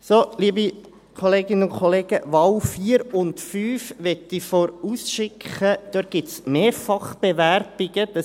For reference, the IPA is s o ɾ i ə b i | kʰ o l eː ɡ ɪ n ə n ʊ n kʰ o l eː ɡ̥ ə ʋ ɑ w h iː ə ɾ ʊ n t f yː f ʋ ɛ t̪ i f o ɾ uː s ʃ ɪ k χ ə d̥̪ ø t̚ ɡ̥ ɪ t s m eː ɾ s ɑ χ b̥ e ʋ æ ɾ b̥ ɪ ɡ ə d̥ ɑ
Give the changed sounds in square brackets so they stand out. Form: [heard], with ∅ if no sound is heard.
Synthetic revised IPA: s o [l] i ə b i | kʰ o l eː ɡ ɪ n ə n ʊ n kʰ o l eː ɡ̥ ə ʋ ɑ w [f] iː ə ɾ ʊ n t f yː f ʋ ɛ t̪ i f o ɾ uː s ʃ ɪ k χ ə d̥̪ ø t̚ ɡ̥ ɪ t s m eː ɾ [f] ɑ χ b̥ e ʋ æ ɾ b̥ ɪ ɡ ə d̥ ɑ